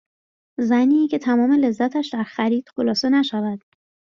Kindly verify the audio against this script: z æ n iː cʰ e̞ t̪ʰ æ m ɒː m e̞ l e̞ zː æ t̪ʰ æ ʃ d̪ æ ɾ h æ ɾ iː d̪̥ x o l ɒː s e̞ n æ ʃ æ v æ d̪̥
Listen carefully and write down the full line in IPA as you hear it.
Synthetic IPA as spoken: z æ n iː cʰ e̞ t̪ʰ æ m ɒː m e̞ l e̞ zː æ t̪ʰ æ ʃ d̪ æ ɾ x æ ɾ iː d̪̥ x o l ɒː s e̞ n æ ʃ æ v æ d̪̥